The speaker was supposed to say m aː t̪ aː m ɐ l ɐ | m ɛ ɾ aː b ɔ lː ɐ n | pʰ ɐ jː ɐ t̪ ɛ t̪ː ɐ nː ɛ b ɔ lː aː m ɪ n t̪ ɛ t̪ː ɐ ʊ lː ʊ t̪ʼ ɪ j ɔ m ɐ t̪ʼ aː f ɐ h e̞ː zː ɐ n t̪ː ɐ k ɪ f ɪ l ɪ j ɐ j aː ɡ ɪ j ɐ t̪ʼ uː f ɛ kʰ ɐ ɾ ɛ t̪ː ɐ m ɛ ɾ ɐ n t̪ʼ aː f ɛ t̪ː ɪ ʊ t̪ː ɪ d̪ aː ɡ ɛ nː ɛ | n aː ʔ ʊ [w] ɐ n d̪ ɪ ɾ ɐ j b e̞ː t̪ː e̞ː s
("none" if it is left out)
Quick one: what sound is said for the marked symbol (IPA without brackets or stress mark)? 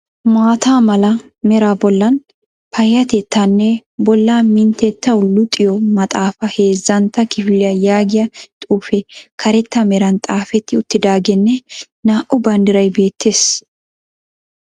b